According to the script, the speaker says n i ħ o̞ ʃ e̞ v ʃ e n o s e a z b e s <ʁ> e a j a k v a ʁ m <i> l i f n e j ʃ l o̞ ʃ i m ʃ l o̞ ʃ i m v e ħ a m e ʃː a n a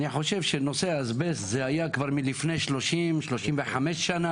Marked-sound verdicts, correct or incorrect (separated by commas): incorrect, correct